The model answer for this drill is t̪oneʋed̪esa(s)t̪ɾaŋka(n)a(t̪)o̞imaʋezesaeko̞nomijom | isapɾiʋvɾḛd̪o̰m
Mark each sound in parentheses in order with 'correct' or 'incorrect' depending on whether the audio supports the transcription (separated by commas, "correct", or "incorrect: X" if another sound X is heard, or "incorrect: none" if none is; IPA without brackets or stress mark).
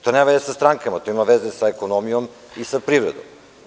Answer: correct, incorrect: m, correct